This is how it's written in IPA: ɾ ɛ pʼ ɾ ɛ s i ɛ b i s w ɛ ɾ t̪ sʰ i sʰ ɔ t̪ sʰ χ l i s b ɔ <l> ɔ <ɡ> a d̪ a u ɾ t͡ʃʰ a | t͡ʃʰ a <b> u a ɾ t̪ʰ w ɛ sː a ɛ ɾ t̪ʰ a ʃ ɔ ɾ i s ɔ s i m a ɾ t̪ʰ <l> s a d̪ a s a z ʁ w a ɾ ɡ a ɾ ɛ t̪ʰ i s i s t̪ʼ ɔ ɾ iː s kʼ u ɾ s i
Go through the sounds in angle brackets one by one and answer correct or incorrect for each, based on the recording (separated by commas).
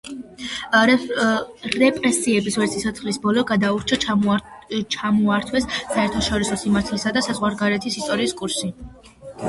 correct, correct, incorrect, correct